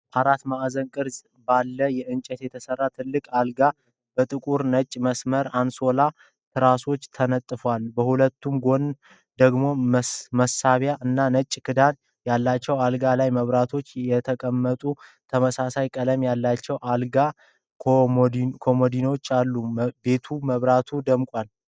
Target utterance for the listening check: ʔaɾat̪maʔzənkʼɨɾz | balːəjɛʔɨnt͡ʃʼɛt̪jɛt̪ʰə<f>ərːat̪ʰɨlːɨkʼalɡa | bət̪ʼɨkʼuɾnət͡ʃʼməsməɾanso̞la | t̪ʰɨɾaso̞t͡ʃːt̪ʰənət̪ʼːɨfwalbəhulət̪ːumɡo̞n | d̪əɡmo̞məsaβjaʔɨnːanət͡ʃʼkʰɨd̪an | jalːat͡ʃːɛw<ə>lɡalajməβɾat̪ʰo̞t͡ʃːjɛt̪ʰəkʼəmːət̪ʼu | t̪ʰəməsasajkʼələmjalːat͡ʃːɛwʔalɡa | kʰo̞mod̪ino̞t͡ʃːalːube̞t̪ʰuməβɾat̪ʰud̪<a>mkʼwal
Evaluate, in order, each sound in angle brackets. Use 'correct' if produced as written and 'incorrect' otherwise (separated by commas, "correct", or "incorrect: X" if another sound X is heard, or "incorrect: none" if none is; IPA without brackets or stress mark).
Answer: incorrect: s, incorrect: a, incorrect: ə